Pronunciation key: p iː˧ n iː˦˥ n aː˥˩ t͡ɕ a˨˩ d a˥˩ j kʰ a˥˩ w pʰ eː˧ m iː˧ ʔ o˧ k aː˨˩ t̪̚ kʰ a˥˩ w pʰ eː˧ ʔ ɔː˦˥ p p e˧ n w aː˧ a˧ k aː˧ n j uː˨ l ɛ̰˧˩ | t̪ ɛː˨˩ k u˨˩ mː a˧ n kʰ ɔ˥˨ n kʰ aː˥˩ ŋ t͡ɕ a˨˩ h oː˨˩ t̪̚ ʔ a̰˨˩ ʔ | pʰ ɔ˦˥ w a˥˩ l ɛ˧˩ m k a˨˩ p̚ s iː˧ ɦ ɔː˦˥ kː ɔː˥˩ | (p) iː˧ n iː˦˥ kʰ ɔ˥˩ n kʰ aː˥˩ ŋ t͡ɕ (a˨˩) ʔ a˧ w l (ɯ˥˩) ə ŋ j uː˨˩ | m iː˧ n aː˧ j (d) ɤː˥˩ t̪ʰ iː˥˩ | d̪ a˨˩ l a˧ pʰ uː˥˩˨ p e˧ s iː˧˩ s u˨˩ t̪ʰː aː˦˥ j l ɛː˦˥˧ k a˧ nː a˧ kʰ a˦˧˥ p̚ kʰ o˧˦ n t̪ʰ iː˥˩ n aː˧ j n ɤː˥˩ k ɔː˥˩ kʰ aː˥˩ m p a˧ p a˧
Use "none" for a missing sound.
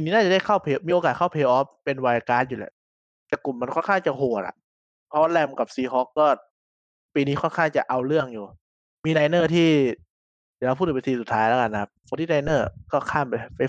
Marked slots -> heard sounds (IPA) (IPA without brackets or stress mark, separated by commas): p, a˨˩, ɯ˥˩, n